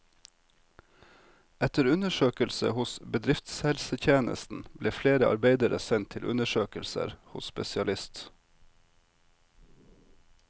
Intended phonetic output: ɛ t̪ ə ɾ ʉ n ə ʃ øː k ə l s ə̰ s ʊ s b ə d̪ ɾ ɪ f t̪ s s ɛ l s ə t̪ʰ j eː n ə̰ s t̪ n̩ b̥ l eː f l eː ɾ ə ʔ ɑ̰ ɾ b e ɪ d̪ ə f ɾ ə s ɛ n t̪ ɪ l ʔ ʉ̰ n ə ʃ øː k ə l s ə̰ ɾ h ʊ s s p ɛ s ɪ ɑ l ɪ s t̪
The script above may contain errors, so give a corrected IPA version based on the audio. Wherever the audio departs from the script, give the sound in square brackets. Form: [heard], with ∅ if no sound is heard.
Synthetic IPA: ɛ t̪ ə ɾ ʉ n ə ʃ øː k ə l s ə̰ [h] ʊ s b ə d̪ ɾ ɪ f t̪ s [h] ɛ l s ə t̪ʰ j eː n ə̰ s t̪ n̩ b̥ l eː f l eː ɾ ə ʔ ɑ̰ ɾ b e ɪ d̪ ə [∅] ɾ ə s ɛ n [t̪ʰ] ɪ l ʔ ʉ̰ n ə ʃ øː k ə l s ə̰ ɾ h ʊ s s p ɛ s ɪ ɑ l ɪ s t̪